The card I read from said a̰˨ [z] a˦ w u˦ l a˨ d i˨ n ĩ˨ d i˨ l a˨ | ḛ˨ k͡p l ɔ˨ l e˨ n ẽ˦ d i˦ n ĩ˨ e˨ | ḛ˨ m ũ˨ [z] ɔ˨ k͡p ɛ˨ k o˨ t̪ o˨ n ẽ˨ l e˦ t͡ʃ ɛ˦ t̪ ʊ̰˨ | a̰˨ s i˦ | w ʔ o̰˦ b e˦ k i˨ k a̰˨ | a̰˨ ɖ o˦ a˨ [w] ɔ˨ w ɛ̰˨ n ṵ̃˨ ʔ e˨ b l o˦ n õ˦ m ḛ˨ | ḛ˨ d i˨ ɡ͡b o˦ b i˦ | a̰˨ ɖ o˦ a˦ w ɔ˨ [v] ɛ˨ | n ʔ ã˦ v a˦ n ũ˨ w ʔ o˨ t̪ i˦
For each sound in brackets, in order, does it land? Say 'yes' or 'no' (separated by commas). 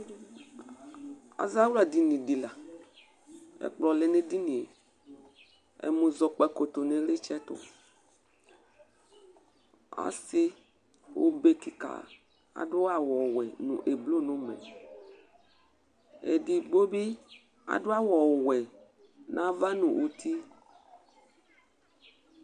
yes, yes, yes, no